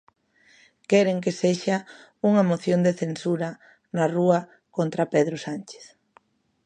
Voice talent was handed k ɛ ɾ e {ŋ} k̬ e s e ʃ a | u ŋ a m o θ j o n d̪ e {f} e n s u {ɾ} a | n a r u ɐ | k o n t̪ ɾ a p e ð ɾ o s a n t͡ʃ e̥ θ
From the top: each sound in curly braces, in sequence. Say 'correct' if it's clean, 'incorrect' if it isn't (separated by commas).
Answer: correct, incorrect, correct